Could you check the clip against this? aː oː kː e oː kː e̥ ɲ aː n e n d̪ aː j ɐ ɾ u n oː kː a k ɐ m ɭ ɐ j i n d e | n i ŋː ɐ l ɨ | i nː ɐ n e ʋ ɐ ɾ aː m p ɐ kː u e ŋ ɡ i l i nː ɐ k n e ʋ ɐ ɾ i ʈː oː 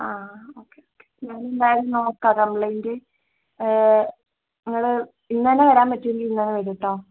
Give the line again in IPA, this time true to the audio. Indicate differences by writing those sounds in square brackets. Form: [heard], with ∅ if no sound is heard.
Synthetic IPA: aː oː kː e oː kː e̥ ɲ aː n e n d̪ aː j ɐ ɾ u n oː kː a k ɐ m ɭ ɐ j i n d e | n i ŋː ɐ [ɭ] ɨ | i nː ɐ n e ʋ ɐ ɾ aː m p ɐ [tː] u e ŋ ɡ i l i nː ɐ [∅] n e ʋ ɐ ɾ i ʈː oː